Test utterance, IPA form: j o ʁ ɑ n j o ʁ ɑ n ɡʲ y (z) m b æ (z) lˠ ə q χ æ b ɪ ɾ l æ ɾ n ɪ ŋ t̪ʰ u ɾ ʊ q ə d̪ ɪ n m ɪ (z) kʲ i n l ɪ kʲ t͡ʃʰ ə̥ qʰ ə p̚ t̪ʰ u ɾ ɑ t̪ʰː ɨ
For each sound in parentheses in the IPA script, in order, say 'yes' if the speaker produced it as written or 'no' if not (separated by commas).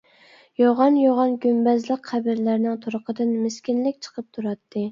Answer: no, yes, no